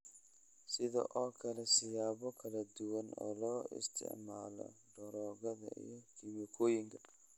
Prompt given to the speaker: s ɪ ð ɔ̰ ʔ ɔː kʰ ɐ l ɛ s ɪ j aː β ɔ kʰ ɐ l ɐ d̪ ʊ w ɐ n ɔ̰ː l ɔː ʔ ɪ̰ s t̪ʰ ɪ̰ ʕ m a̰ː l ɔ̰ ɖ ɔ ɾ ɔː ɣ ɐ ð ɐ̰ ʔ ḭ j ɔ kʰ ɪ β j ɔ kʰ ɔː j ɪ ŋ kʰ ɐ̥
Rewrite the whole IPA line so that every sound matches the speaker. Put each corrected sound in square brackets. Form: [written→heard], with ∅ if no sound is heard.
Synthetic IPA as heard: s ɪ ð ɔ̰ ʔ ɔː kʰ ɐ l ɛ s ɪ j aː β ɔ kʰ ɐ l ɐ d̪ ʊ w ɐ n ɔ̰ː l ɔː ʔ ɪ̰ s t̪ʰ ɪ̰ ʕ m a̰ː l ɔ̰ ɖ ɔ ɾ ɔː ɣ ɐ ð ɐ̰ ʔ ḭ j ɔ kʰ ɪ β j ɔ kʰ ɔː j ɪ ŋ kʰ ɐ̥